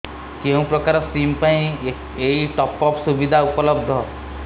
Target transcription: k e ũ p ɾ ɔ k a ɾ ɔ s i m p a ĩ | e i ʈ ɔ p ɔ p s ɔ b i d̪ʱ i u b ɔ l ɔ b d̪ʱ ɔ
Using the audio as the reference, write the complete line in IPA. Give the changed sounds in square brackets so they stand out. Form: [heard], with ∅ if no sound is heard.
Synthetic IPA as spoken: k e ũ p ɾ ɔ k a ɾ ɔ s i m p a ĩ | e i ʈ ɔ p ɔ p s [u] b i d̪ʱ [a] u [p] ɔ l ɔ b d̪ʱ ɔ